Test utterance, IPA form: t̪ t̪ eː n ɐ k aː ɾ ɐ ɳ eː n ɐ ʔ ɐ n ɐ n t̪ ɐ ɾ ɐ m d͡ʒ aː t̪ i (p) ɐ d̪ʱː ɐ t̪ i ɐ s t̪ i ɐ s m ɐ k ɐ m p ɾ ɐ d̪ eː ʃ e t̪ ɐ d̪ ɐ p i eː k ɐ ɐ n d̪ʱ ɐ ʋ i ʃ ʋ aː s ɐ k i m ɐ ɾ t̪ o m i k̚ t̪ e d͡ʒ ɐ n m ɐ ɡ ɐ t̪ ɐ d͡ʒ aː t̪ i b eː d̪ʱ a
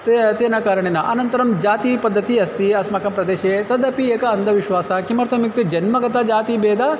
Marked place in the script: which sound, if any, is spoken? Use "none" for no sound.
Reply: p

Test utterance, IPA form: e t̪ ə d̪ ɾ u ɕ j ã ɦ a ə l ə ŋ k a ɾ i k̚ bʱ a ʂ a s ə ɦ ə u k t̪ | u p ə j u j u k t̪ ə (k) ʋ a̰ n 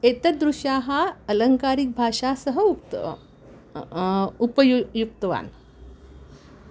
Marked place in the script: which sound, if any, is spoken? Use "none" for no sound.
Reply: none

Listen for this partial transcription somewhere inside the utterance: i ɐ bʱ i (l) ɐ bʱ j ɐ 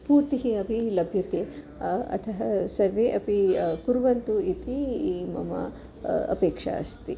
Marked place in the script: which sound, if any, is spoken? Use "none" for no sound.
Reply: l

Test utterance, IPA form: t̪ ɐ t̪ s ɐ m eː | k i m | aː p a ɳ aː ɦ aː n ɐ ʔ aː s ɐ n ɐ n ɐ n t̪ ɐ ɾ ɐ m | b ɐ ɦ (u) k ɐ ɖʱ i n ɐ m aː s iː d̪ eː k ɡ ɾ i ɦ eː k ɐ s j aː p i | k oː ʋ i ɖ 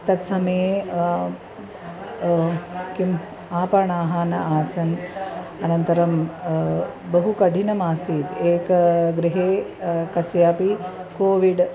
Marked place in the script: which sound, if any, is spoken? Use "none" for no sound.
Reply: u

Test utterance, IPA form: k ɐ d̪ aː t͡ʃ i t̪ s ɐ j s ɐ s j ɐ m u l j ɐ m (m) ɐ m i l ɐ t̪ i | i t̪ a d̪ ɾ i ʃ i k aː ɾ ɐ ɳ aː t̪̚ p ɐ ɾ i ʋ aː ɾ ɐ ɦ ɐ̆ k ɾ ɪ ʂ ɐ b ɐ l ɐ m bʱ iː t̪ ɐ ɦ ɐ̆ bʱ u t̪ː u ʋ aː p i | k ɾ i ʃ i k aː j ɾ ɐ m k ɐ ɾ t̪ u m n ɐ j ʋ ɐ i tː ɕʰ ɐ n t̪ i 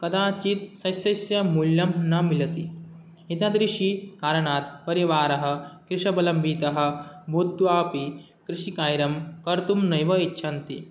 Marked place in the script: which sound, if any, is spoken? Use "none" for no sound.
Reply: n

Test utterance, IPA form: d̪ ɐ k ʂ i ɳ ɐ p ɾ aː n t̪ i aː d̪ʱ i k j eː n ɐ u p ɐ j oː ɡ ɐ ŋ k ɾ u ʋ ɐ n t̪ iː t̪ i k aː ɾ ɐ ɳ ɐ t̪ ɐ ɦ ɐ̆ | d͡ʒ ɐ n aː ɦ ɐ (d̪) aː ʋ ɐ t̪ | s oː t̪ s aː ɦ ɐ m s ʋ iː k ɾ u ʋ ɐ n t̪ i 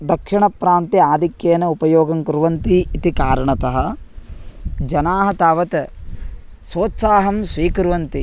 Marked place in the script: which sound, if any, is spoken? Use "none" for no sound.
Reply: t̪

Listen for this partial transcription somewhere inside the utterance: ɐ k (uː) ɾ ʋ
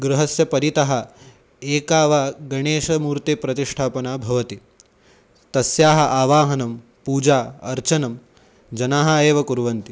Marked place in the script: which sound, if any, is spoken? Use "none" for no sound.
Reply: u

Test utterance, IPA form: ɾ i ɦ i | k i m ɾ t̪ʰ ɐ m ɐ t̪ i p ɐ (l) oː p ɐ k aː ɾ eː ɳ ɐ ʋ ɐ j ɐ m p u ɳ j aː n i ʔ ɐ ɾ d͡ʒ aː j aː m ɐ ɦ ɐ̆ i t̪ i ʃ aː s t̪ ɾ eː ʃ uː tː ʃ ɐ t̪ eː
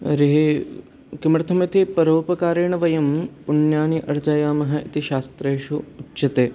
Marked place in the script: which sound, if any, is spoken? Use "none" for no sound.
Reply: ɾ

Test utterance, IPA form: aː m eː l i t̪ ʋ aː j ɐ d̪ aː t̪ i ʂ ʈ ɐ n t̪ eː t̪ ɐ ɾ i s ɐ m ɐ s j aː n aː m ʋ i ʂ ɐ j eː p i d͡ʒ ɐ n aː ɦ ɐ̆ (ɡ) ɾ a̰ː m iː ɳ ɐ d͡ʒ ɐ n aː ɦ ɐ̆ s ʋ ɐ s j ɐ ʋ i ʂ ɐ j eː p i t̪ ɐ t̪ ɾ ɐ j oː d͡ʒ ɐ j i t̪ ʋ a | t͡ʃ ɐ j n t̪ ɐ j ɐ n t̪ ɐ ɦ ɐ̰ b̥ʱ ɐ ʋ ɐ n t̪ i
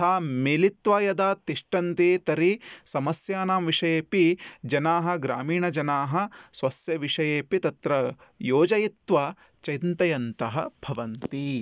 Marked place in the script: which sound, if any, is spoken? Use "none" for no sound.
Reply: ɡ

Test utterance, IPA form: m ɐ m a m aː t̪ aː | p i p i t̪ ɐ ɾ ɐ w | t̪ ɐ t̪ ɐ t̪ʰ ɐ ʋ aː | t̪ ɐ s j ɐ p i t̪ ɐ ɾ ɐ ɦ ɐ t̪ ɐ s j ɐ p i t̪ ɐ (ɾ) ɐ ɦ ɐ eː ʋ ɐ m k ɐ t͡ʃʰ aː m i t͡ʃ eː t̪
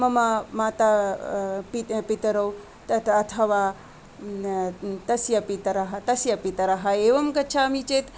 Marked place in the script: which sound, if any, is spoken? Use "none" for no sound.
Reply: ɾ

